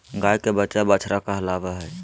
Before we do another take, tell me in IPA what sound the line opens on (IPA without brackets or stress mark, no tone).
ɡ